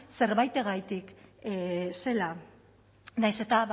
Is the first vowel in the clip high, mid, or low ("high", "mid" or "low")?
mid